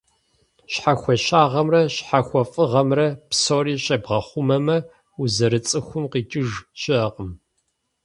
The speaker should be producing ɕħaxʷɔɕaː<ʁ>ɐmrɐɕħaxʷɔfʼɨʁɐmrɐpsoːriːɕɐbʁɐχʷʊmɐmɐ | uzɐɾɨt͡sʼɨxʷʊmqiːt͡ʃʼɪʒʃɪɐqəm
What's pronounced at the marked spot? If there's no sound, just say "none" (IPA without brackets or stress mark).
ʁ